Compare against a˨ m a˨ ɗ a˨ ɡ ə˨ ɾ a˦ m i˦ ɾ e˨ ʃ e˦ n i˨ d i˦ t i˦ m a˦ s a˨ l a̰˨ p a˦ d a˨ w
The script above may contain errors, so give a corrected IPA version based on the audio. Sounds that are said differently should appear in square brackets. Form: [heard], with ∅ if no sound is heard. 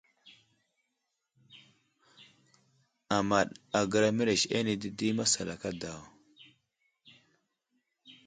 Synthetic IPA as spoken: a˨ m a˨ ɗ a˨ ɡ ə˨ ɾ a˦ m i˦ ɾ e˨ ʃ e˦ n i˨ d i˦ [d] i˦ m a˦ s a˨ l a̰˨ [k] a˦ d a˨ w